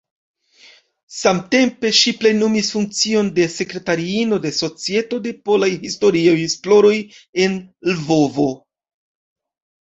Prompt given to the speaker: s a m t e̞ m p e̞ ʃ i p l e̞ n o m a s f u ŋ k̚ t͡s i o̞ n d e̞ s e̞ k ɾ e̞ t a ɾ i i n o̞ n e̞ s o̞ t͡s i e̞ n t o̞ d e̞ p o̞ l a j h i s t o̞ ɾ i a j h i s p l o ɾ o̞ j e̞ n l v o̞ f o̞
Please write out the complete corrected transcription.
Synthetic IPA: s a m t e̞ m p e̞ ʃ i p l e̞ n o m i s f u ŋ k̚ t͡s i o̞ n d e̞ s e̞ k ɾ e̞ t a ɾ i i n o̞ d e̞ s o̞ t͡s i e̞ t o̞ d e̞ p o̞ l a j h i s t o̞ ɾ i a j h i s p l o ɾ o̞ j e̞ n l v o̞ v o̞